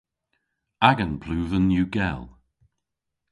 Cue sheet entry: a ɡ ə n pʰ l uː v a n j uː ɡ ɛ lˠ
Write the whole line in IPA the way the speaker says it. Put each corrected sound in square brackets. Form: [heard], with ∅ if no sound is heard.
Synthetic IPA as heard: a ɡ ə n pʰ l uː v [ə] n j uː ɡ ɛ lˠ